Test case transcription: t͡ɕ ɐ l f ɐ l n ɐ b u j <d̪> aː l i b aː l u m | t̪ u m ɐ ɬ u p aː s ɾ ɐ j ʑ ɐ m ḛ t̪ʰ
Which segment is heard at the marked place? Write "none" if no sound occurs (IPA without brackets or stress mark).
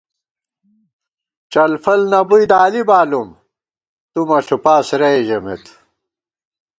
d̪